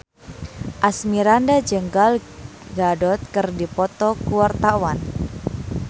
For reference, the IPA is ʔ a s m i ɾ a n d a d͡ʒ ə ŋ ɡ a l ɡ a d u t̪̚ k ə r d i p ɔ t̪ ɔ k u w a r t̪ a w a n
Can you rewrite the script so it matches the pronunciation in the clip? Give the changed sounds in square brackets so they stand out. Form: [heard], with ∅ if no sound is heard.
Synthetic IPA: ʔ a s m i ɾ a n d a d͡ʒ ə ŋ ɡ a l ɡ a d [ɔ] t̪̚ k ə r d i p ɔ t̪ ɔ k u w a r t̪ a w a n